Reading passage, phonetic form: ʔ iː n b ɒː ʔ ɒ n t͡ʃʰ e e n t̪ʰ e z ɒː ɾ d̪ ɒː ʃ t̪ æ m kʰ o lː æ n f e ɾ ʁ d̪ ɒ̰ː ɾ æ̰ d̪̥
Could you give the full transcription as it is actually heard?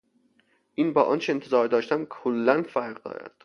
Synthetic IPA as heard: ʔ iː n b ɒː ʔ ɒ n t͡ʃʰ e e n t̪ʰ e z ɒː ɾ d̪ ɒː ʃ t̪ æ m kʰ o lː æ n f æ ɾ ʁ d̪ ɒ̰ː ɾ æ̰ d̪̥